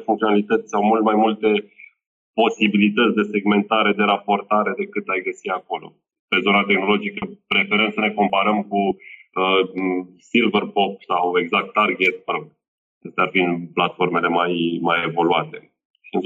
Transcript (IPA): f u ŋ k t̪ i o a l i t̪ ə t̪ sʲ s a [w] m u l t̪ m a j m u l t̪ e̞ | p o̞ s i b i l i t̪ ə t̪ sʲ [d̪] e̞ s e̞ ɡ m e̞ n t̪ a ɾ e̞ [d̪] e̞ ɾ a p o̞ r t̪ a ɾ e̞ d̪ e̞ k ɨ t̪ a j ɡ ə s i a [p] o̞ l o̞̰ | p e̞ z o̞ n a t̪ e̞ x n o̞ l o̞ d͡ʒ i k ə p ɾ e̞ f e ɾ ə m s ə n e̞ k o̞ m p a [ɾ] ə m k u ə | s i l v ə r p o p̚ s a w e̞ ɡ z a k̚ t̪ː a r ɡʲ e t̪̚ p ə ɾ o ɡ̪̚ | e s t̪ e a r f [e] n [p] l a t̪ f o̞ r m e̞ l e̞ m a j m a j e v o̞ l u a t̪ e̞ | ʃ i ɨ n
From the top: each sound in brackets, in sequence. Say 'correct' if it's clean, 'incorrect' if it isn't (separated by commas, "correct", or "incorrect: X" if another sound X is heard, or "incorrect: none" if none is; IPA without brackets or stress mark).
correct, correct, correct, incorrect: k, correct, incorrect: i, correct